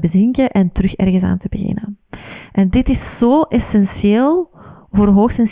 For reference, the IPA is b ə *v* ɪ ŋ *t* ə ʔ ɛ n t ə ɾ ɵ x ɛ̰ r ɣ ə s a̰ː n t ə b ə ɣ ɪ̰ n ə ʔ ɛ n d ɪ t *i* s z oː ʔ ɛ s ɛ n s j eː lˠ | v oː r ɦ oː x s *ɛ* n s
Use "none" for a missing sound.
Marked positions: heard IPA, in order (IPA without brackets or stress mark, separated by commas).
z, k, ɪ, ɛ